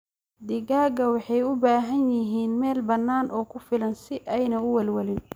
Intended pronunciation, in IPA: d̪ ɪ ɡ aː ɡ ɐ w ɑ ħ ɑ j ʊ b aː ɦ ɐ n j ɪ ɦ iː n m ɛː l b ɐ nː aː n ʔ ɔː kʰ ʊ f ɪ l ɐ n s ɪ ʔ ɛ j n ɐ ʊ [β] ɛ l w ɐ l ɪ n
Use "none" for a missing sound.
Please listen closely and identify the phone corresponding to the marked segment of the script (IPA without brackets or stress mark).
w